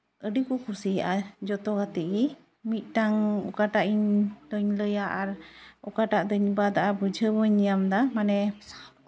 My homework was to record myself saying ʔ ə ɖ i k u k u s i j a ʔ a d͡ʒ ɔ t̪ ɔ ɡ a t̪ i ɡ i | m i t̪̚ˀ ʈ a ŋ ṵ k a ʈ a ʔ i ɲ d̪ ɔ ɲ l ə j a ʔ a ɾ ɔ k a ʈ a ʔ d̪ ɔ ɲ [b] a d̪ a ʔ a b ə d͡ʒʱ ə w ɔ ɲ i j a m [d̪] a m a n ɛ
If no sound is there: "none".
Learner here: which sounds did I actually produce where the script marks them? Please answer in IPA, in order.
b, d̪

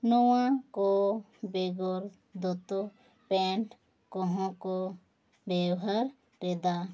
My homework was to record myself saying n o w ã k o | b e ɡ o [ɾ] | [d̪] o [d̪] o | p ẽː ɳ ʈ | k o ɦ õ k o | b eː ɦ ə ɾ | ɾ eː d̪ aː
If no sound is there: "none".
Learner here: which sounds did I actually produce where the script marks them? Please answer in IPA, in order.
ɾ, d̪, t̪

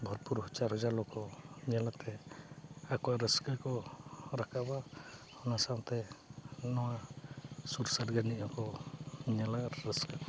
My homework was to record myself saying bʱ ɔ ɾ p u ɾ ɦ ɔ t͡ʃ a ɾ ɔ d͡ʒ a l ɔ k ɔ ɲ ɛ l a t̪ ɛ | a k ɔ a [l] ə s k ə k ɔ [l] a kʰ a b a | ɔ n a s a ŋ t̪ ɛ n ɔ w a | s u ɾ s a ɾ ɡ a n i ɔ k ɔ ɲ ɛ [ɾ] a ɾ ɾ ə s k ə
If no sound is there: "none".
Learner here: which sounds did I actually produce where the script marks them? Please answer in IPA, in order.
ɾ, ɾ, l

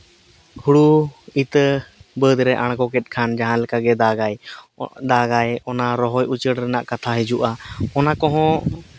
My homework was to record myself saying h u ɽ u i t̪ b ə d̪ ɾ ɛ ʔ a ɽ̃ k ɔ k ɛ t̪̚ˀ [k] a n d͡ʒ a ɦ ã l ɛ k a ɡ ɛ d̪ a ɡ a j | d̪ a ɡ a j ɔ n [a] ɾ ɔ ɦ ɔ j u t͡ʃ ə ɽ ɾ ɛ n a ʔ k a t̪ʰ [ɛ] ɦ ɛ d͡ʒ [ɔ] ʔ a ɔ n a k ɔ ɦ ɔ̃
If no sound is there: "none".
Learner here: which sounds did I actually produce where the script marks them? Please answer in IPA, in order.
kʰ, a, a, u

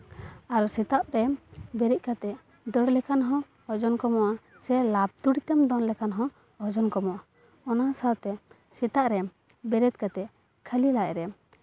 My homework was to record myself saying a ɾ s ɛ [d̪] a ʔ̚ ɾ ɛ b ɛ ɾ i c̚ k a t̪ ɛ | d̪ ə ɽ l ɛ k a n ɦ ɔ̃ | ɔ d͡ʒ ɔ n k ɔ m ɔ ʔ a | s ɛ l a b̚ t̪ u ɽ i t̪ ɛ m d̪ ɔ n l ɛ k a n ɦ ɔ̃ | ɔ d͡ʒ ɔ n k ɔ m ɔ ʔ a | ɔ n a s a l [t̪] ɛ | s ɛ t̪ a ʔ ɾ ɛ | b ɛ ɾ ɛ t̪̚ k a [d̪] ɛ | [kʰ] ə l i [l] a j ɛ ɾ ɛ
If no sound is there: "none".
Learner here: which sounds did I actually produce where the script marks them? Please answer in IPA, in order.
t̪, t̪, t̪, kʰ, l

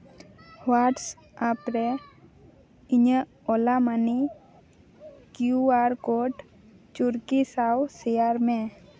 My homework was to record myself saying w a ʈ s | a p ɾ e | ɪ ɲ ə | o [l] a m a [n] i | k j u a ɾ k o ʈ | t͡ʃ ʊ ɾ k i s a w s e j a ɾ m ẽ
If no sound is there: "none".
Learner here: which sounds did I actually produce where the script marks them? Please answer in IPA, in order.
l, n

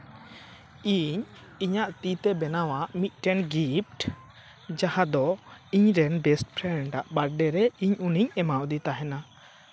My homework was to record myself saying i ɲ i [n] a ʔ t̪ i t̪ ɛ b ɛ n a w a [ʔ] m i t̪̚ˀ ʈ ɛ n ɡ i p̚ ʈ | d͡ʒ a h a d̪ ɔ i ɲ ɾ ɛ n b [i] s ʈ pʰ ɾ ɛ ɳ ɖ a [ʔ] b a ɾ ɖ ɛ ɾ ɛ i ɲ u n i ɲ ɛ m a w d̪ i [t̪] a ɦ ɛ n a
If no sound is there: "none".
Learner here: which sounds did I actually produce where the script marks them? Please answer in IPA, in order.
ɲ, ʔ, ɛ, ʔ, t̪

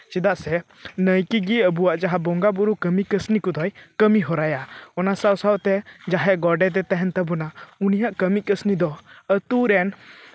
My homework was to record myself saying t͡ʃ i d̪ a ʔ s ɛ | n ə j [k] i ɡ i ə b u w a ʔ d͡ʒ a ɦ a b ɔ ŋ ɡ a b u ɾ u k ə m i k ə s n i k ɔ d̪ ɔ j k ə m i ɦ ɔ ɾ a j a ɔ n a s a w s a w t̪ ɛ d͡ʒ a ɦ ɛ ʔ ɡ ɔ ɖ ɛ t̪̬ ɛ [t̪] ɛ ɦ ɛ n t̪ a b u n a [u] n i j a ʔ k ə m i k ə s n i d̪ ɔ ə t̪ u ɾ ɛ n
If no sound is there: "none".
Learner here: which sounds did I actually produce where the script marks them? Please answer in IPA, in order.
k, t̪, u

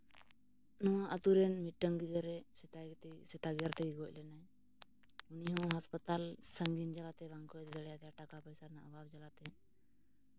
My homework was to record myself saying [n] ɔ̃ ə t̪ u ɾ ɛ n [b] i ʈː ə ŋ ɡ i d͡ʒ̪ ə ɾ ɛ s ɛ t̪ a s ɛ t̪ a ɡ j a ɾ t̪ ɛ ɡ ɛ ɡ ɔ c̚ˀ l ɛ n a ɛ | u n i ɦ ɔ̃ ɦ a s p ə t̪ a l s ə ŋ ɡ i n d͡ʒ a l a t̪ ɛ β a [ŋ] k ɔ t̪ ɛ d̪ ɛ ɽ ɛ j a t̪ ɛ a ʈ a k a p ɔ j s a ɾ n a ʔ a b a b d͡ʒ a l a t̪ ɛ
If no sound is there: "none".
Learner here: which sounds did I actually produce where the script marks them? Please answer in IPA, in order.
n, m, ŋ

